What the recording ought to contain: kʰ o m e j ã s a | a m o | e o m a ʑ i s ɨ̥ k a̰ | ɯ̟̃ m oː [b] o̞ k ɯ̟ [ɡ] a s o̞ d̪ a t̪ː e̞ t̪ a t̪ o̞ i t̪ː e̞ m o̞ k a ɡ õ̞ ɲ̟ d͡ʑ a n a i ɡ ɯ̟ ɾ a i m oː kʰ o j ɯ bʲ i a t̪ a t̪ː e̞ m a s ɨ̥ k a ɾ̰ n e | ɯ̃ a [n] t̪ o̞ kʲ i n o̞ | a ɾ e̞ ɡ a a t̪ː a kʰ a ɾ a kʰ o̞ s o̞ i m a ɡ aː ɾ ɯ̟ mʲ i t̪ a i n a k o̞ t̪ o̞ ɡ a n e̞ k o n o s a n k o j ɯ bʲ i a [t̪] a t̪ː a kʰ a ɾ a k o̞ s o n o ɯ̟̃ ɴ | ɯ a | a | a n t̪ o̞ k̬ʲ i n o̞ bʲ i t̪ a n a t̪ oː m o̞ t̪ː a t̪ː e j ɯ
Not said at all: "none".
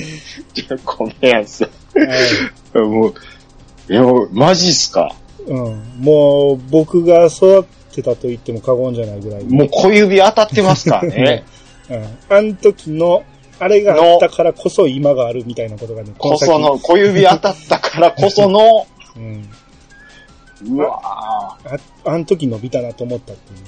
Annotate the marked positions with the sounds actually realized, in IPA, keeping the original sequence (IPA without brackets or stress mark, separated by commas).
b, ɡ, n, t̪